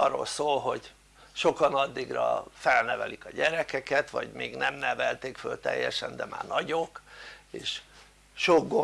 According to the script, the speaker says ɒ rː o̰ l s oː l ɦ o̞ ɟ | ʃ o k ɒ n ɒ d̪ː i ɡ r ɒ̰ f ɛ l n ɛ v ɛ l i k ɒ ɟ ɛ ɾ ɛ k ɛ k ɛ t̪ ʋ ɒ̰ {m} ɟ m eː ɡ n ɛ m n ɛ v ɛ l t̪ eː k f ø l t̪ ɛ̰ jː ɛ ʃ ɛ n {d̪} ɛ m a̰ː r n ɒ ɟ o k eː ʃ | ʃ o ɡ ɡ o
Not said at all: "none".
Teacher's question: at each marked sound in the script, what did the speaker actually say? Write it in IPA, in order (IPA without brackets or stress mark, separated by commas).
none, d̪